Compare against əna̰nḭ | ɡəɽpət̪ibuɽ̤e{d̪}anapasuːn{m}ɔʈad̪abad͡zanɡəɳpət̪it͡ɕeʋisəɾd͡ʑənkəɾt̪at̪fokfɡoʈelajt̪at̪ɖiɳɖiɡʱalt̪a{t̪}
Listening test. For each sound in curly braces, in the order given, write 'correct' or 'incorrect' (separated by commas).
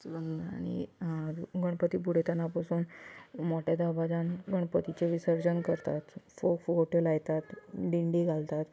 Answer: incorrect, correct, correct